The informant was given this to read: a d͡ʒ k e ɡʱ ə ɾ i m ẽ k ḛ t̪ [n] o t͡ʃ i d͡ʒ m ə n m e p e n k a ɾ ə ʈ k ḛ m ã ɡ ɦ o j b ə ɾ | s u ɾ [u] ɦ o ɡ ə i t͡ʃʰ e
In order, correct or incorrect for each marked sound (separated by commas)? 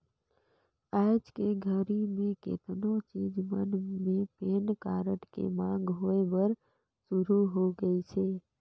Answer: correct, correct